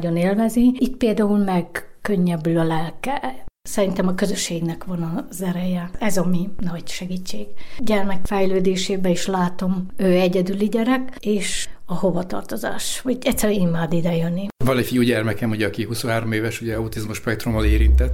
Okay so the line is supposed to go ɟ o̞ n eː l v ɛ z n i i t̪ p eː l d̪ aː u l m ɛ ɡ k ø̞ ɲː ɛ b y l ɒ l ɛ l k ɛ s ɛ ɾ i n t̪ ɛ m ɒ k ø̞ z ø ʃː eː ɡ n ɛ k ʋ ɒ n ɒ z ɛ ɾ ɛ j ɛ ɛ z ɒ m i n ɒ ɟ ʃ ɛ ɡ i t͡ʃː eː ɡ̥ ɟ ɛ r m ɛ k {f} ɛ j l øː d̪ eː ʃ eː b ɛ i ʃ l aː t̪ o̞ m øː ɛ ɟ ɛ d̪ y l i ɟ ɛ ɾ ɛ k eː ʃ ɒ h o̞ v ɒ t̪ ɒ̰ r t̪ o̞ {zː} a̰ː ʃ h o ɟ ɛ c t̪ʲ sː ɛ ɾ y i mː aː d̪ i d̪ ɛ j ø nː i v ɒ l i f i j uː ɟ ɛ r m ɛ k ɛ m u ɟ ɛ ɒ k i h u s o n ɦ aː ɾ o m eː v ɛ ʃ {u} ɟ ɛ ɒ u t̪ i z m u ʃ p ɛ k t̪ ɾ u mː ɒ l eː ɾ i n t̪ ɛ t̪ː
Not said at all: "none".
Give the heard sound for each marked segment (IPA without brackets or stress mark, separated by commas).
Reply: f, z, u